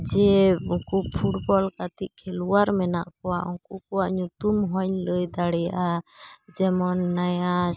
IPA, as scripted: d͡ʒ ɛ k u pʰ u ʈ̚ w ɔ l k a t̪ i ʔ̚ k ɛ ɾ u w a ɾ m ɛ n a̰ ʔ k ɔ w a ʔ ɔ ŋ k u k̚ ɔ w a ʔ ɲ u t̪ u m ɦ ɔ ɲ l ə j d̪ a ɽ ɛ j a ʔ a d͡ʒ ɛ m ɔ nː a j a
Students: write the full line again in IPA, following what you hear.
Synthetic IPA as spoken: d͡ʒ ɛ k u pʰ u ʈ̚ b ɔ l k a t̪ i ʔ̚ kʰ ɛ l u w a ɾ m ɛ n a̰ ʔ k ɔ w a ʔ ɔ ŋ k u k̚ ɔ w a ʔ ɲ u t̪ u m ɦ ɔ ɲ l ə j d̪ a ɽ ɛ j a ʔ a d͡ʒ ɛ m ɔ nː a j a